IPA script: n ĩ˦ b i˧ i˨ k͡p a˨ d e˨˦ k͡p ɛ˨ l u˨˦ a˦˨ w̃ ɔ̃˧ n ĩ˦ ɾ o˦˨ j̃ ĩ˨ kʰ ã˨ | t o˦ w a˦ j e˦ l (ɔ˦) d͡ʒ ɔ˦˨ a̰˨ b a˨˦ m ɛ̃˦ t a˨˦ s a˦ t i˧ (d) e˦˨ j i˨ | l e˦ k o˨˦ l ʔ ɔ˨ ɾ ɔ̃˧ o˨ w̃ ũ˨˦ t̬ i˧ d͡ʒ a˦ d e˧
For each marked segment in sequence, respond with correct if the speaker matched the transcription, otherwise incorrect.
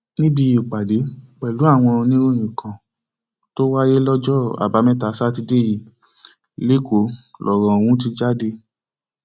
correct, correct

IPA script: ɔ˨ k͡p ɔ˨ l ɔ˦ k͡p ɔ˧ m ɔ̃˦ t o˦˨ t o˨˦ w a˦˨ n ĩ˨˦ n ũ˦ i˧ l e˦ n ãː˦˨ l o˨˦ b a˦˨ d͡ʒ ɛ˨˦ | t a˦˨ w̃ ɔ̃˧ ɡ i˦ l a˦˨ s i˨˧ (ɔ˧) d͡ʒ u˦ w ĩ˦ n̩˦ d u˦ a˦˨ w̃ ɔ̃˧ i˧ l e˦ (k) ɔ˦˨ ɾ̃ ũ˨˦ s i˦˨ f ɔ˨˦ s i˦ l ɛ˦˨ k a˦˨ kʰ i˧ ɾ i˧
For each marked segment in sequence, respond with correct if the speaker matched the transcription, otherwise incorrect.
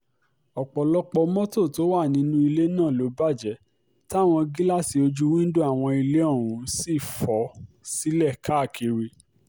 incorrect: o˧, incorrect: none

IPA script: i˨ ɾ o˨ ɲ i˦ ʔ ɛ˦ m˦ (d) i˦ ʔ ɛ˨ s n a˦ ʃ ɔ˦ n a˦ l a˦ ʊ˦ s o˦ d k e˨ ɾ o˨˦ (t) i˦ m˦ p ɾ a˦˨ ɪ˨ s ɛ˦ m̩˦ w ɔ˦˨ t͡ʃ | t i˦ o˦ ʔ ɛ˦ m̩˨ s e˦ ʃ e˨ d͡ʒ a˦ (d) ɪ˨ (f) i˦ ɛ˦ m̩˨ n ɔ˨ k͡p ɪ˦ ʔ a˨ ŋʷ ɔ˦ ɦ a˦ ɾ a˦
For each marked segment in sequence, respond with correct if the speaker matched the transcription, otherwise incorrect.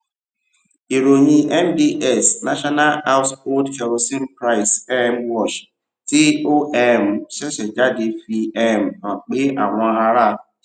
correct, incorrect: s, correct, correct

